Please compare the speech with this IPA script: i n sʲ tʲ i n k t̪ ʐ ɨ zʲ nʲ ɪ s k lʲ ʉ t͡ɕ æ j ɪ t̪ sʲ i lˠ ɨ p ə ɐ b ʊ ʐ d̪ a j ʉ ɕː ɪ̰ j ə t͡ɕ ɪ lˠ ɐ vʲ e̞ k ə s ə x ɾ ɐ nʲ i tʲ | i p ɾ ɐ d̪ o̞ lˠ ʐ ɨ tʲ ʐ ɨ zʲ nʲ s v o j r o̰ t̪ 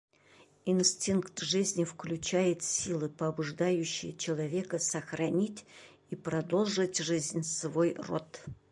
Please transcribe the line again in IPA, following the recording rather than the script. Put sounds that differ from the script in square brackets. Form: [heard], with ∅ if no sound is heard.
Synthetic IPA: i n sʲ tʲ i n k t̪ ʐ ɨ zʲ nʲ ɪ [f] k lʲ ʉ t͡ɕ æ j ɪ t̪ sʲ i lˠ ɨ p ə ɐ b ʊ ʐ d̪ a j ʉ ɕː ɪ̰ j ə t͡ɕ ɪ lˠ ɐ vʲ e̞ k ə s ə x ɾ ɐ nʲ i tʲ | i p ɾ ɐ d̪ o̞ lˠ ʐ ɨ tʲ ʐ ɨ zʲ nʲ s v o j r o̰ t̪